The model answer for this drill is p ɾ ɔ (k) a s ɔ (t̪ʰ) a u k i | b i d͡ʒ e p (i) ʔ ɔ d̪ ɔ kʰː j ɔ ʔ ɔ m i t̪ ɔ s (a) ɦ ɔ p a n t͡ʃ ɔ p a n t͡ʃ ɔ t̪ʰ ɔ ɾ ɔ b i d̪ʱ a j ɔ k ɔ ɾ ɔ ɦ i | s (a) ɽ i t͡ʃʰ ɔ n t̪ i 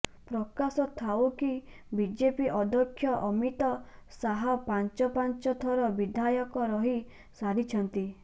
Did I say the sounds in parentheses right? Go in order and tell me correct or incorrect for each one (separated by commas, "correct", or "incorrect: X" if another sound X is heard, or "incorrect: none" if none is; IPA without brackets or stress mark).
correct, correct, correct, correct, correct